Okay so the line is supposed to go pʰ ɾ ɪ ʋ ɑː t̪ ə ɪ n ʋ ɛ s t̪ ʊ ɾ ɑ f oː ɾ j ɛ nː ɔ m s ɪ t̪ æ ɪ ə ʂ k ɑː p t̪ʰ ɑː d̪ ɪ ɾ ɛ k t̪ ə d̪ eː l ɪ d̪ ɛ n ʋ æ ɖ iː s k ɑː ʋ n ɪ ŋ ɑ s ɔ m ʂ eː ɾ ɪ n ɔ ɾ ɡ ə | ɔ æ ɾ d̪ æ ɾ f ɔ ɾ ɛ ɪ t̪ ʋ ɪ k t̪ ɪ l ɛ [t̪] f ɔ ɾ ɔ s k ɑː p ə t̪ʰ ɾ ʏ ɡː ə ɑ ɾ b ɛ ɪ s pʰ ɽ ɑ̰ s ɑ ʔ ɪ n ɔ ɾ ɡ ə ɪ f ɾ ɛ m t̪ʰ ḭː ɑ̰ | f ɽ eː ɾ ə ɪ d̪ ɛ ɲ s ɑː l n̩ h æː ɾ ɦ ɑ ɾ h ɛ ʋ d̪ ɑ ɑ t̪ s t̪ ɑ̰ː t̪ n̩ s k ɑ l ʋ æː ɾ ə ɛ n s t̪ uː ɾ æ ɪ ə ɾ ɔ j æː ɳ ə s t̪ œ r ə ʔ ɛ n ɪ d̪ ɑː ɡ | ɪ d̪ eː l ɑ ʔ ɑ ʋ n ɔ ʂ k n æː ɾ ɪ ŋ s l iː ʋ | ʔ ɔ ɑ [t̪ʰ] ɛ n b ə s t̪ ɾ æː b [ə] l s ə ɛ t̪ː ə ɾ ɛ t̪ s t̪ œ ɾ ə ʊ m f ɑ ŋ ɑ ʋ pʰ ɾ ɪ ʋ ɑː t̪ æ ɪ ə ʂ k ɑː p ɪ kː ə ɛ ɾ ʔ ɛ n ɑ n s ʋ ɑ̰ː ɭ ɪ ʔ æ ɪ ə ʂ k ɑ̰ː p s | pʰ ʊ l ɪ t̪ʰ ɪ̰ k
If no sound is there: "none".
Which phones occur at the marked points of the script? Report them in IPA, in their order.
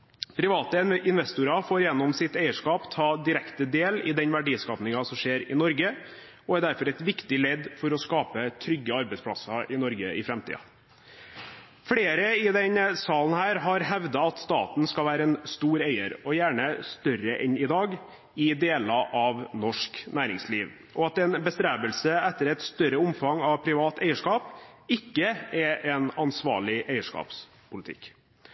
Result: d̪, t̪, ə

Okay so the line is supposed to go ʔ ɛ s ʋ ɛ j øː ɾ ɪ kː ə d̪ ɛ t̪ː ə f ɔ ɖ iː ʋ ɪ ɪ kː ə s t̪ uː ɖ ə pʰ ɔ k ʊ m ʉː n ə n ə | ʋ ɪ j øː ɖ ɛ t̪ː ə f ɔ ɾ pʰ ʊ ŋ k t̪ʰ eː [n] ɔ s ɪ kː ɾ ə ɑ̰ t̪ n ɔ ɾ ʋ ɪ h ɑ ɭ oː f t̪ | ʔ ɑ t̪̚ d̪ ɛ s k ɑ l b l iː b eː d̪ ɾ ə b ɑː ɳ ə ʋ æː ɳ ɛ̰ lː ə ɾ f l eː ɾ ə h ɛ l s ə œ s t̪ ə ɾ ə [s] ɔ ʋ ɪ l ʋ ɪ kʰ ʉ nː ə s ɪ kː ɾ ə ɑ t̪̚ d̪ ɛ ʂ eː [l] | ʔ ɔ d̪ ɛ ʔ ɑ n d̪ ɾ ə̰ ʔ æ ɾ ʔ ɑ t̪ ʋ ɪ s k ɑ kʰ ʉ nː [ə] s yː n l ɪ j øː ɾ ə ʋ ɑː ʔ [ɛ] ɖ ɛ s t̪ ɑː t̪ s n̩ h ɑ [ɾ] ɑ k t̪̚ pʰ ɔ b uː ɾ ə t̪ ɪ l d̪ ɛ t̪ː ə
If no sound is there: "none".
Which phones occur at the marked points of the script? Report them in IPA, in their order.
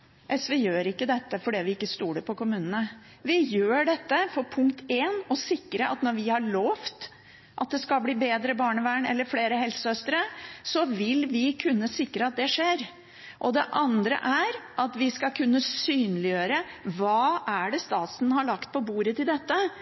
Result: n, s, ɾ, ə, æ, ɭ

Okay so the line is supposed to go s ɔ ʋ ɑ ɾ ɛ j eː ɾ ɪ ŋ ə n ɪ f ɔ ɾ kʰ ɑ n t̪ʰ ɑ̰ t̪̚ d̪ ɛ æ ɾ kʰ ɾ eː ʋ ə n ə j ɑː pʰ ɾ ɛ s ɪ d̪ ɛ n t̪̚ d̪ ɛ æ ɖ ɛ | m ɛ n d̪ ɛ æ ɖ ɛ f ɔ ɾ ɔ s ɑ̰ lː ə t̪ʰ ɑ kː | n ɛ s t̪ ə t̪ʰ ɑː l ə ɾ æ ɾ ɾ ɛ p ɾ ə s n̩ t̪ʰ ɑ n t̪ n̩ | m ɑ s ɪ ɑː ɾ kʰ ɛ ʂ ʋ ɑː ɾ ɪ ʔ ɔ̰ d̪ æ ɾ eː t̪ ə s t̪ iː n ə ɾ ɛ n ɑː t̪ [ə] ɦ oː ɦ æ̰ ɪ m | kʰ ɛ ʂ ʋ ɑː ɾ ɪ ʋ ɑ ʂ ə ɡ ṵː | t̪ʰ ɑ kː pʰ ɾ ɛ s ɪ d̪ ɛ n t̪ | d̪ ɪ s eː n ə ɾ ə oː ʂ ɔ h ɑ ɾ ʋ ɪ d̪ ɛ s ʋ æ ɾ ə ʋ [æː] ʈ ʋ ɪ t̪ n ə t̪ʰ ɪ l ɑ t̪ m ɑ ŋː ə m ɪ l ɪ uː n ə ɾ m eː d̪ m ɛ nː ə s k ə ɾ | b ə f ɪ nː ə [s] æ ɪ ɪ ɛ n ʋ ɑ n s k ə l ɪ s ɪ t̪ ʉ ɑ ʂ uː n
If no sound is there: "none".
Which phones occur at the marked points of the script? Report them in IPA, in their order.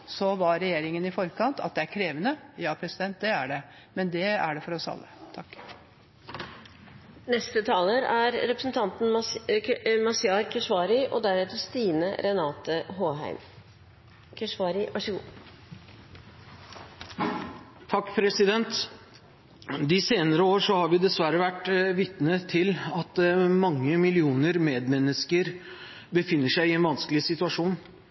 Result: ə, æ, ʂ

